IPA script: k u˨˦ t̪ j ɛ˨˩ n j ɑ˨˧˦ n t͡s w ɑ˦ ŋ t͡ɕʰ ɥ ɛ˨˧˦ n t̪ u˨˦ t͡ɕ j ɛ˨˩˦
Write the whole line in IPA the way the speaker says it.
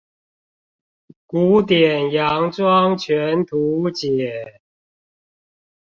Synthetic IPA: k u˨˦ t̪ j ɛ˨˩ n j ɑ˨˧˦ ŋ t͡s w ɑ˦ ŋ t͡ɕʰ ɥ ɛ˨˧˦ n t̪ʰ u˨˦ t͡ɕ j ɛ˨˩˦